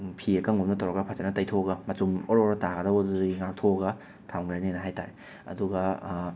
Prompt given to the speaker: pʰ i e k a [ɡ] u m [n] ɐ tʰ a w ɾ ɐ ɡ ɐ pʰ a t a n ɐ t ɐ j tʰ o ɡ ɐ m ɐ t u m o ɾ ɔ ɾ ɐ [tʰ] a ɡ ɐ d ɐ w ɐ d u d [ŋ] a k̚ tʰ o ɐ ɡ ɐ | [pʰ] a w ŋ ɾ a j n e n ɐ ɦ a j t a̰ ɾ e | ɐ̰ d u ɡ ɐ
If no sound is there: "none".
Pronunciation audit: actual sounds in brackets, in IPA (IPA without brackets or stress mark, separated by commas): ŋ, n, t, ŋ, tʰ